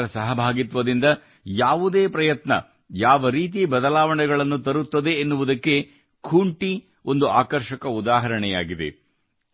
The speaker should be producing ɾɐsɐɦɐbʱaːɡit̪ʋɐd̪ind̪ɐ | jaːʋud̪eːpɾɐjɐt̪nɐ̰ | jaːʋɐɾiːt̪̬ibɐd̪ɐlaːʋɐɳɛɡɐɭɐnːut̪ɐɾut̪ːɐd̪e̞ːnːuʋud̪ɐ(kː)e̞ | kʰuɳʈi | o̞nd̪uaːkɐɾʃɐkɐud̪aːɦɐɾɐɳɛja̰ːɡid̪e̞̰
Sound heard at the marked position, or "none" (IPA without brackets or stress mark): kː